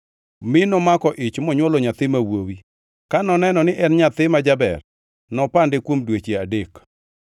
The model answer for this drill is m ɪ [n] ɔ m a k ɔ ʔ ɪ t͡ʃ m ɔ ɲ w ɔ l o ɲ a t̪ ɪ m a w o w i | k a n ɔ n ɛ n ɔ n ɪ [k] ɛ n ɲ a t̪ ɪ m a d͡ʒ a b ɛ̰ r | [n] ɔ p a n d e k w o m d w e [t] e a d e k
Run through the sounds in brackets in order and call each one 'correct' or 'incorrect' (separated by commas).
correct, incorrect, correct, incorrect